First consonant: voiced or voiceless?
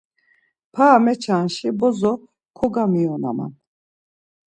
voiceless